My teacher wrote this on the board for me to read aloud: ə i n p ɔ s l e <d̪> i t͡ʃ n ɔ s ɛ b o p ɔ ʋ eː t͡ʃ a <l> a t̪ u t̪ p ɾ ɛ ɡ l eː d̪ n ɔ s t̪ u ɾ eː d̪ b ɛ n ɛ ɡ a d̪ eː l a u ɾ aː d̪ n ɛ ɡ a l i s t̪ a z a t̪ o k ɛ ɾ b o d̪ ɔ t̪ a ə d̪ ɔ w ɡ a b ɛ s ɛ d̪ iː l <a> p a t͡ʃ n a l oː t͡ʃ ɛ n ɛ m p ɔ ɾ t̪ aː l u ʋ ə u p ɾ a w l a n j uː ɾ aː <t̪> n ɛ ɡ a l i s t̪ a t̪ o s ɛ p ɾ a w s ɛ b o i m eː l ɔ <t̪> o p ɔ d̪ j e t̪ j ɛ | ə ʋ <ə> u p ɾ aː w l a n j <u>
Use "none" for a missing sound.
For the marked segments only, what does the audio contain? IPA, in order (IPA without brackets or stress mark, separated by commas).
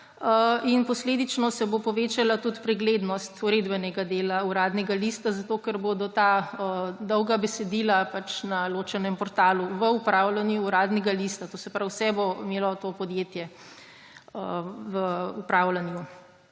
d̪, l, a, d̪, t̪, ə, u